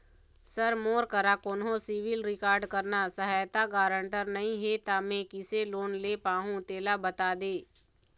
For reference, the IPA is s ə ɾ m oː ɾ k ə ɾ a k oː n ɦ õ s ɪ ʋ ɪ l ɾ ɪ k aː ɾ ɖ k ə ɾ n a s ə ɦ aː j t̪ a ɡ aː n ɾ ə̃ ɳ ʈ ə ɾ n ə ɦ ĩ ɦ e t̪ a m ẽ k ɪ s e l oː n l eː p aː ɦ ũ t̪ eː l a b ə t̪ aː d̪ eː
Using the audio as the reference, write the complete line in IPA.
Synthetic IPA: s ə ɾ m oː ɾ k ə ɾ a k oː n ɦ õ s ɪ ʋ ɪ l ɾ ɪ k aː ɾ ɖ k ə ɾ n a s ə ɦ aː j t̪ a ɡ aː ɾ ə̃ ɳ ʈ ə ɾ n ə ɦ ĩ ɦ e t̪ a m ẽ k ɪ s e l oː n l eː p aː ɦ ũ t̪ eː l a b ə t̪ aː d̪ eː